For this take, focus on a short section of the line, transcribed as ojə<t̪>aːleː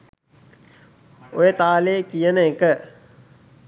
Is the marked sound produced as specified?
yes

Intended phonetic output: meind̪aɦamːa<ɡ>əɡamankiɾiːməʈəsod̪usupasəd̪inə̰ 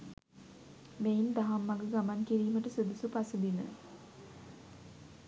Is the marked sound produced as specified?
yes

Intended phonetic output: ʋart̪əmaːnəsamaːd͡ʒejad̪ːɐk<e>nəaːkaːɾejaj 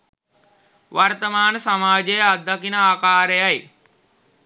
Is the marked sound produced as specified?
no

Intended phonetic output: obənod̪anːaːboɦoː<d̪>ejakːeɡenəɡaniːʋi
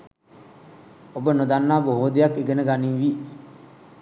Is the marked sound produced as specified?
yes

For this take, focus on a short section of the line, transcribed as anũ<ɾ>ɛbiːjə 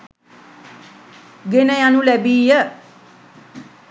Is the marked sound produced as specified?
no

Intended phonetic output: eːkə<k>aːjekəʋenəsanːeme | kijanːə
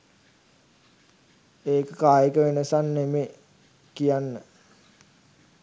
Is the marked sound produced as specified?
yes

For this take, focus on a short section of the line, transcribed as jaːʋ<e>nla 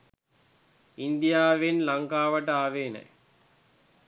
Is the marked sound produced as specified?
yes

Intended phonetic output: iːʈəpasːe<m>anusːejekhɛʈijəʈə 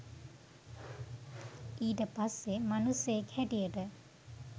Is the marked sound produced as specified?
yes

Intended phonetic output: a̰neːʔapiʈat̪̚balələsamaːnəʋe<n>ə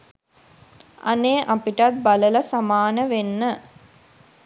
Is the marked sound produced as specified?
no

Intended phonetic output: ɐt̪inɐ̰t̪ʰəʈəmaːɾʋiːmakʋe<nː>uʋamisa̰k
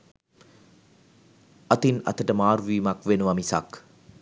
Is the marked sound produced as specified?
no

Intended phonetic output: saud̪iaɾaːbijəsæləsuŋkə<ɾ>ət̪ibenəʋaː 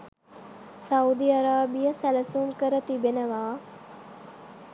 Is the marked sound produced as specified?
yes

